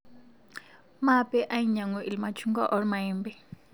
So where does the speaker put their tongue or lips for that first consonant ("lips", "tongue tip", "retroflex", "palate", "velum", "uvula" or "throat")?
lips